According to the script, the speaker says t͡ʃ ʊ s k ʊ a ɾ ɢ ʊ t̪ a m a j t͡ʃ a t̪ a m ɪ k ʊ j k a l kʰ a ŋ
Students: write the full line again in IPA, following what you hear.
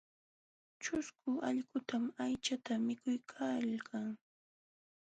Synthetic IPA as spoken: t͡ʃ ʊ s k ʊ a ʎ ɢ ʊ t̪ a m a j t͡ʃ a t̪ a m ɪ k ʊ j kʰ a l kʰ a ŋ